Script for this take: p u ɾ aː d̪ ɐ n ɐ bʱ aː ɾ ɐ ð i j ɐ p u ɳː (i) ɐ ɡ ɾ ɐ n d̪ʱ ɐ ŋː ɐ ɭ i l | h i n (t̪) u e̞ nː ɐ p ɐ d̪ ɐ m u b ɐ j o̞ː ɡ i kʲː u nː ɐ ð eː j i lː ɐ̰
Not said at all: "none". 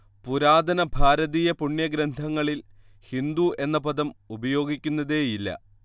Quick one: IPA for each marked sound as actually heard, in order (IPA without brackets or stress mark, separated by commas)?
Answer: j, d̪